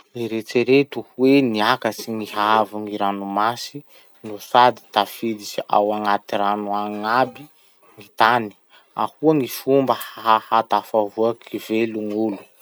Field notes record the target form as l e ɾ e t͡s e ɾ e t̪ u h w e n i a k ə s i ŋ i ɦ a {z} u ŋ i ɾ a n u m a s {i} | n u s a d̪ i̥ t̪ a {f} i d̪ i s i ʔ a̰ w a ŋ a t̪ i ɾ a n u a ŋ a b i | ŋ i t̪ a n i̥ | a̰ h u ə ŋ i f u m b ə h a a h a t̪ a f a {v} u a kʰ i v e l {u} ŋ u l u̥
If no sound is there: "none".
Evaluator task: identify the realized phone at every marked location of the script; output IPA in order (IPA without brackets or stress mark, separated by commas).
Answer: v, i, f, v, u